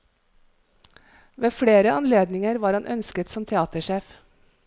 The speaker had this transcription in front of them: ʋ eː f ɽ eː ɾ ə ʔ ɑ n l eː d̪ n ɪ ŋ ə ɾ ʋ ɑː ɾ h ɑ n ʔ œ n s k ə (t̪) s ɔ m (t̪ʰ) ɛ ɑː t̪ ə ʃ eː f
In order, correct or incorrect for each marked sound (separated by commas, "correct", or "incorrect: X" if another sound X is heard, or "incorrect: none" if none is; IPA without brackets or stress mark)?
correct, correct